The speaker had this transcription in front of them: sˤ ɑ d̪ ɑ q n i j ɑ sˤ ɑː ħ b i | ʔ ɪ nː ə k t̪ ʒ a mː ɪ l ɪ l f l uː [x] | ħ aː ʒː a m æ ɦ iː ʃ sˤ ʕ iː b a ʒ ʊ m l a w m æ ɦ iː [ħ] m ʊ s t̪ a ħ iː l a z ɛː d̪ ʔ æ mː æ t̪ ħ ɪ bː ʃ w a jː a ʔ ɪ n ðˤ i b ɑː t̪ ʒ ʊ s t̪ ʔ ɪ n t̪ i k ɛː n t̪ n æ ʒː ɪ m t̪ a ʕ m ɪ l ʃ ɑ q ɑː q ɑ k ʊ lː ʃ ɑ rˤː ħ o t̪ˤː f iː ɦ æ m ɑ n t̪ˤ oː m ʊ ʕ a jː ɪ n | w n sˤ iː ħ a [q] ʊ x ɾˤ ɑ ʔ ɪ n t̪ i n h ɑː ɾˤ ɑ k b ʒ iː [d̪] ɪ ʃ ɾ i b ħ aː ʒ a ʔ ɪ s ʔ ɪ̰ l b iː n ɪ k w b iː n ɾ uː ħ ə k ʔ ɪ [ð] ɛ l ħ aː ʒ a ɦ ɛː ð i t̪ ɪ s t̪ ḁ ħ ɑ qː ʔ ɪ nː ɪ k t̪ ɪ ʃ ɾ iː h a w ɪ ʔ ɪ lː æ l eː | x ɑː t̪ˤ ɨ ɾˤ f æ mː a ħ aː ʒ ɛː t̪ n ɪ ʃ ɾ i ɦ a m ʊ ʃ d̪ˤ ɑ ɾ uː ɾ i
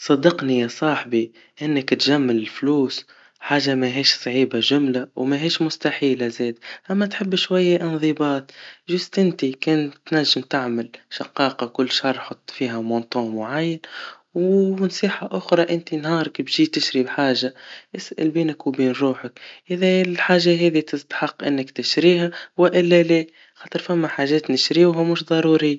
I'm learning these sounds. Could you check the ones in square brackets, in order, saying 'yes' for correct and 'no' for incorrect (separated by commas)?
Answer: no, no, no, no, yes